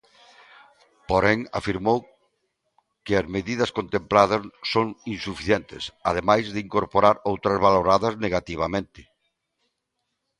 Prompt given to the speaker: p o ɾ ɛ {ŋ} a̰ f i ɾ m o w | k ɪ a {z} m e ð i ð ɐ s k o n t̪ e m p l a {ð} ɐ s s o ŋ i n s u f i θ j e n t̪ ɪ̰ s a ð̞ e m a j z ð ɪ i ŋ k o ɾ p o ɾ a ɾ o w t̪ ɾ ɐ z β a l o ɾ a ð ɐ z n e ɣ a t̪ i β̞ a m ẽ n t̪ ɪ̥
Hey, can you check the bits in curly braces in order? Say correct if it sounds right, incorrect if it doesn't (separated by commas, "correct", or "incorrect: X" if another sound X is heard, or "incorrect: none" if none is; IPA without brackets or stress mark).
correct, correct, correct